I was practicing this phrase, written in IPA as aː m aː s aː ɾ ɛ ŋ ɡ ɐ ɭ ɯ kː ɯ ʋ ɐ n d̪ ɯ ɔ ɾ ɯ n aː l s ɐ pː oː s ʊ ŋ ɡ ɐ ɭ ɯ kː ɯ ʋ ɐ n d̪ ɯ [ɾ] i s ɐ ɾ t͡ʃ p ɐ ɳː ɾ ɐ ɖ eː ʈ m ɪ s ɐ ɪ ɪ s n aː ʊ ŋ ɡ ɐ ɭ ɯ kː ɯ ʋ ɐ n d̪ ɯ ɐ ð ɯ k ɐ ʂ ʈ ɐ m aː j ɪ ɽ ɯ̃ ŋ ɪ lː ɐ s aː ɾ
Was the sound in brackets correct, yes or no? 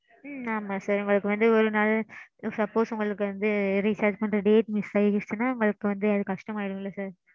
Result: yes